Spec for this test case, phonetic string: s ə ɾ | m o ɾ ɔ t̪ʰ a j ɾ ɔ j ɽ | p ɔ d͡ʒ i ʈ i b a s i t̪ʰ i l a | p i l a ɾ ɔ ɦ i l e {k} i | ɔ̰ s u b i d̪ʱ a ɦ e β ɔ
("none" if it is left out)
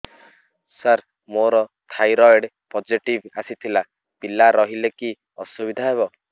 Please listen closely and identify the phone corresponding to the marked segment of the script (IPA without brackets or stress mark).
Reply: k